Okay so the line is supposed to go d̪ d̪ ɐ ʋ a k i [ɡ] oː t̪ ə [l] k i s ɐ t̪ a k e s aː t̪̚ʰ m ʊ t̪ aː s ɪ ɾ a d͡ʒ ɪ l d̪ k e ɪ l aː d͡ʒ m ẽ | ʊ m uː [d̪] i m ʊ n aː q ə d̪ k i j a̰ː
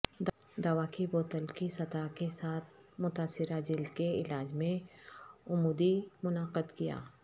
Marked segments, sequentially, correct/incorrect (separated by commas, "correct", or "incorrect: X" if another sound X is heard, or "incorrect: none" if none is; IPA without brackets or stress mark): incorrect: b, correct, correct